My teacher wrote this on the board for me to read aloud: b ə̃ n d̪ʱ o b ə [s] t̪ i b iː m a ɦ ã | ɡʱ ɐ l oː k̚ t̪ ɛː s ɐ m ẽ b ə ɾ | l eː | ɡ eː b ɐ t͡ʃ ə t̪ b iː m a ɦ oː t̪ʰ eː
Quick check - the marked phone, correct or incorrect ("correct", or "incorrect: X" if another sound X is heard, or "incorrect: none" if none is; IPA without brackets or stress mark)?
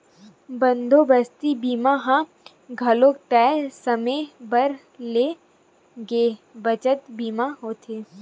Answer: correct